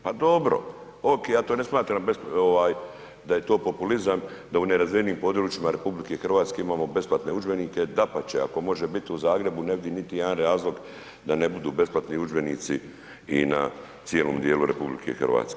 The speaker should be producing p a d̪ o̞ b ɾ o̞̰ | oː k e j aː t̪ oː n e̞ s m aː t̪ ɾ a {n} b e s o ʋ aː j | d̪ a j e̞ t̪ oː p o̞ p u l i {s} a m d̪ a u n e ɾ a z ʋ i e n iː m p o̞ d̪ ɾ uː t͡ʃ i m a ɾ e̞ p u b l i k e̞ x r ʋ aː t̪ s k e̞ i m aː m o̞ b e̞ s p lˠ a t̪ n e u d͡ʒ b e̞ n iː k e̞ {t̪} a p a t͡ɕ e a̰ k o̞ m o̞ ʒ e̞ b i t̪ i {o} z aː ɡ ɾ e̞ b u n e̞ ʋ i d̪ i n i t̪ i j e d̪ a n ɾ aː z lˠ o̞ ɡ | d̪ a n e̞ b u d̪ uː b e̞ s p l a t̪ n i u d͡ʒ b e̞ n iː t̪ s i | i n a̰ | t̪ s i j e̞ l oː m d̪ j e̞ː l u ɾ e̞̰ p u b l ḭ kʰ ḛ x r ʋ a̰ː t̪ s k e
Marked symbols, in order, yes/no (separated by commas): no, no, no, no